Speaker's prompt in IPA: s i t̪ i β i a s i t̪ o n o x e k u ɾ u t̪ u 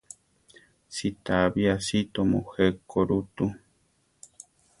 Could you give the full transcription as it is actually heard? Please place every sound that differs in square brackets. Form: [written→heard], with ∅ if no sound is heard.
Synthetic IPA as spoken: s i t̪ [i→a] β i a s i t̪ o [n→m] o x e k [u→o] ɾ u t̪ u

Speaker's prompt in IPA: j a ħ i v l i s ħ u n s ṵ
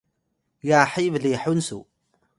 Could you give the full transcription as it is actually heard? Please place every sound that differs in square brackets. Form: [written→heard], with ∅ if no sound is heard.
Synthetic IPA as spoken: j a ħ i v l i [s→∅] ħ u n s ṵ

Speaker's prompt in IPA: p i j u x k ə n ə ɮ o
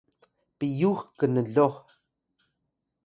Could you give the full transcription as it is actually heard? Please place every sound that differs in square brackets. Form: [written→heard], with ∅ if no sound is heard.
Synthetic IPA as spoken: p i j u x k ə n ə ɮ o

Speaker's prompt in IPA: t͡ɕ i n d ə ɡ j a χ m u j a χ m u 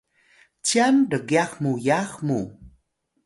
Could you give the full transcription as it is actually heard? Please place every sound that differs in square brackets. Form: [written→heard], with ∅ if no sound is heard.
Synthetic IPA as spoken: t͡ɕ [i→a] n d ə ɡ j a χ m u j a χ m u

